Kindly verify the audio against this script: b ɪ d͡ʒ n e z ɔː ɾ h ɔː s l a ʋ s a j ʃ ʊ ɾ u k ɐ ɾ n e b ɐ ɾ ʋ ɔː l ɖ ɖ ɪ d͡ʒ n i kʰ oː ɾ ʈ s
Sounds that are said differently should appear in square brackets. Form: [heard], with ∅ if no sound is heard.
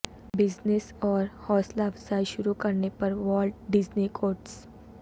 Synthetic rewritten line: b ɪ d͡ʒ n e [s] ɔː ɾ h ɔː s l a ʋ s a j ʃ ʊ ɾ u k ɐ ɾ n e [p] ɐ ɾ ʋ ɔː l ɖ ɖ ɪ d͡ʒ n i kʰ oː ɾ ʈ s